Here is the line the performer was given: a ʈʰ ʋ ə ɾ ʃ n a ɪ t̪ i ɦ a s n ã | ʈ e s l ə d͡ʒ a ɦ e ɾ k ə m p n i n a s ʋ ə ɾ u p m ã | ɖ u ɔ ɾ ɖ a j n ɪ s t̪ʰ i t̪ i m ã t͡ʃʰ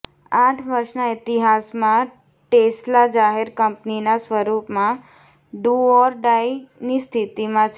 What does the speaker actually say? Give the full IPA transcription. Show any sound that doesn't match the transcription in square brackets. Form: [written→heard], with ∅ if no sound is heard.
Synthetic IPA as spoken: a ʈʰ ʋ ə ɾ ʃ n a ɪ t̪ i ɦ a s [n→m] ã | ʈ e s l [ə→a] d͡ʒ a ɦ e ɾ k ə m p n i n a s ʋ ə ɾ u p m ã | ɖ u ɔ ɾ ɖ a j n [ɪ→i] s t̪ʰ i t̪ i m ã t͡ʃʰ